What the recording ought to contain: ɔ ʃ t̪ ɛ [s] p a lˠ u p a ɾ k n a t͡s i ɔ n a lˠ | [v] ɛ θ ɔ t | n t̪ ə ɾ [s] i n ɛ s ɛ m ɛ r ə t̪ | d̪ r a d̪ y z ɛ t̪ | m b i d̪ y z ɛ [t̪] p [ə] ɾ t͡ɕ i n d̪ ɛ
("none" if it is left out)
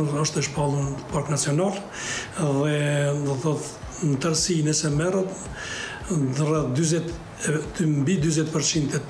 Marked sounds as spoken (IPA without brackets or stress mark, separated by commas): ʃ, ð, s, t̪, ə